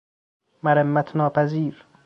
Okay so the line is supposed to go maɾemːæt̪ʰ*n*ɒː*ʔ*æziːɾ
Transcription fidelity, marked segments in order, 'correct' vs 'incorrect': correct, incorrect: p

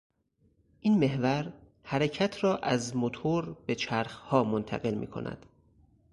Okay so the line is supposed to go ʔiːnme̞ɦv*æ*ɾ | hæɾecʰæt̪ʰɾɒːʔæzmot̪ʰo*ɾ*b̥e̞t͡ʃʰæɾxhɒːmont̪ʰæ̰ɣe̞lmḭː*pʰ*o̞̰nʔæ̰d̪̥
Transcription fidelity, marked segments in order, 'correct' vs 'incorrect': correct, correct, incorrect: kʰ

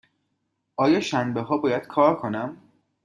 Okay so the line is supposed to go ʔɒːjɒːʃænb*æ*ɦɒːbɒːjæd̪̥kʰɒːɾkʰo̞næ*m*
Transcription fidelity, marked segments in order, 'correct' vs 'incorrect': incorrect: e, correct

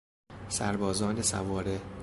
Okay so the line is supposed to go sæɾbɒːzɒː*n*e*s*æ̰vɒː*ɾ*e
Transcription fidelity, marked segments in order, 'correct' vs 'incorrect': correct, correct, correct

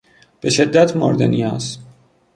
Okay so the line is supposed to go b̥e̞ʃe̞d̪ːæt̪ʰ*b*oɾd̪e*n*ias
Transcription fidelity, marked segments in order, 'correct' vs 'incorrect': incorrect: m, correct

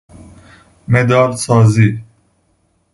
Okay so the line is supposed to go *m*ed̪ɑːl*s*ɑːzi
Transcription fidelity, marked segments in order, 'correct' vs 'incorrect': correct, correct

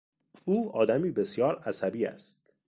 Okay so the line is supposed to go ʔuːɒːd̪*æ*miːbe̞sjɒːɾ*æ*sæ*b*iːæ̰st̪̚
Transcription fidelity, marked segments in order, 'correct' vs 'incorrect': correct, correct, correct

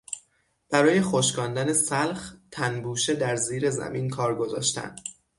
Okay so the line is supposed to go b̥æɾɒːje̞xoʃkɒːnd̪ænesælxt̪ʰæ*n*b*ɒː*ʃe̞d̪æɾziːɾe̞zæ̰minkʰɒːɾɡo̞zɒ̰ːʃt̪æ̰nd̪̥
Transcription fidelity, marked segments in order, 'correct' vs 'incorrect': correct, incorrect: uː

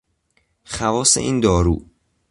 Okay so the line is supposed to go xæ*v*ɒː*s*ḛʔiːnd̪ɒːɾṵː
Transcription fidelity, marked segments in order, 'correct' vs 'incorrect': correct, correct

